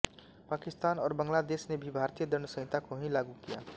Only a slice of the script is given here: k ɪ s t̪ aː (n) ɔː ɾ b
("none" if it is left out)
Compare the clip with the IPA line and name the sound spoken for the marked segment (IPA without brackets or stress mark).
n